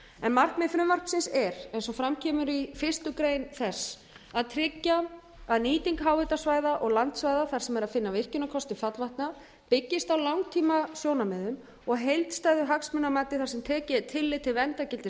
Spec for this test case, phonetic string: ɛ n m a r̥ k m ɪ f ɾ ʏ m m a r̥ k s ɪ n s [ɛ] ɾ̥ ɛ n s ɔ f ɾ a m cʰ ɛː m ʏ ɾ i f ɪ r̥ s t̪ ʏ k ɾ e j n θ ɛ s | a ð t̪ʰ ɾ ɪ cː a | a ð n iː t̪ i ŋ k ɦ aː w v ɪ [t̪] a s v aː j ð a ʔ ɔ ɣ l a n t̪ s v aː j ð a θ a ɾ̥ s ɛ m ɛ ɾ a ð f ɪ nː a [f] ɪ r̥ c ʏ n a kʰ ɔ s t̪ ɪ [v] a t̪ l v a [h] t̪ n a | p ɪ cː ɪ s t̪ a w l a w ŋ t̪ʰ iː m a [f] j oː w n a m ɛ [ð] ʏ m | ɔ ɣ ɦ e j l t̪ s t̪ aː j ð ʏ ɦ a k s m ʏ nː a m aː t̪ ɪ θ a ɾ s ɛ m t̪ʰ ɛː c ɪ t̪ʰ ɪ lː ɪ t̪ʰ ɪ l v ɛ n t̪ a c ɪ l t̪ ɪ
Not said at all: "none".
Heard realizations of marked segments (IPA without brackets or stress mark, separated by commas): ɛ, t̪, v, f, h, s, ð